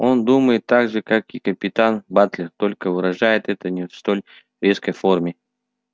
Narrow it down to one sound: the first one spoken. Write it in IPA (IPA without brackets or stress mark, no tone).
o̞